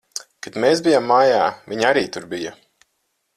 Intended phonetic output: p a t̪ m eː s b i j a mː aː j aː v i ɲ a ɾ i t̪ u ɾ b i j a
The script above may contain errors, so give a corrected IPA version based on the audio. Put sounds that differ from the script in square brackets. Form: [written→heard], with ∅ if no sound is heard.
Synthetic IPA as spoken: [p→k] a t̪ m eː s b i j a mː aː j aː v i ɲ a ɾ [i→iː] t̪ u ɾ b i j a